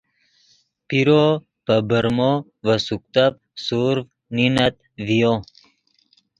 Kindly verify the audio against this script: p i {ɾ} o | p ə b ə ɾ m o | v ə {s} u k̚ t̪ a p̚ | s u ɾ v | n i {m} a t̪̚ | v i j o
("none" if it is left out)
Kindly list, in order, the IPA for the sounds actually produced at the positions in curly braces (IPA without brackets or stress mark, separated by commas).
ɾ, s, n